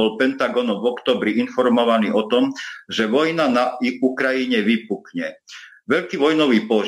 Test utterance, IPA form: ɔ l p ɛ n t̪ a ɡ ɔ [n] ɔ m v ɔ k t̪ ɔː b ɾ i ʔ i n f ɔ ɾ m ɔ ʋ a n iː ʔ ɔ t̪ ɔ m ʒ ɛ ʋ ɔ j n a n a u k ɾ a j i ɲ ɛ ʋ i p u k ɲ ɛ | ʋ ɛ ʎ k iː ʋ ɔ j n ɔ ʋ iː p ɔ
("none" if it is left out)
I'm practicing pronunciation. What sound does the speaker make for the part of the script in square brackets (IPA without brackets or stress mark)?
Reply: n